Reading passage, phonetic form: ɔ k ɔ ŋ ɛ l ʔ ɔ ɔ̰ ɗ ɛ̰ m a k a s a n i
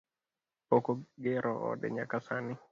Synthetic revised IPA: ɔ k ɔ ɡ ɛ ɾ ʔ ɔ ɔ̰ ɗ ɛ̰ ɲ a k a s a n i